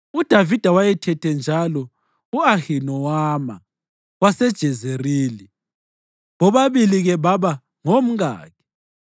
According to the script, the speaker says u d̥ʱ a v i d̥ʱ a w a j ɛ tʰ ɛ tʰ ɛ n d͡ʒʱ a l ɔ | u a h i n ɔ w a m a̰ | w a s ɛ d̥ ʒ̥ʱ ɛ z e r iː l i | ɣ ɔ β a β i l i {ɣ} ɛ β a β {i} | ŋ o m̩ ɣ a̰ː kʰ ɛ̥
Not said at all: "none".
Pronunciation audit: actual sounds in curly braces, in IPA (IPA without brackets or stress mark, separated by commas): ɣ, a